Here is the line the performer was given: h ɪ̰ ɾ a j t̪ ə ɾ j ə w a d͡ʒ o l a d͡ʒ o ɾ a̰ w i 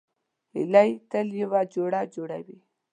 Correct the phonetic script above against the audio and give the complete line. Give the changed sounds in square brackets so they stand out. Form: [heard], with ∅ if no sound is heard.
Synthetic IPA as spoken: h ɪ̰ [l] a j t̪ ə [l] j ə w a d͡ʒ o [ɽ] a d͡ʒ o [ɽ] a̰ w i